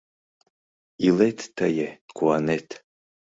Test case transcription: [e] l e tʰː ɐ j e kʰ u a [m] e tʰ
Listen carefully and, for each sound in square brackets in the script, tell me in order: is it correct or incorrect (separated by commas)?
incorrect, incorrect